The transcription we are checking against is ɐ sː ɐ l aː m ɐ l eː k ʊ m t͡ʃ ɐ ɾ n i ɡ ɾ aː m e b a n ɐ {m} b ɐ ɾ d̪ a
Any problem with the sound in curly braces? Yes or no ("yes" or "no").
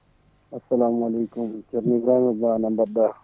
no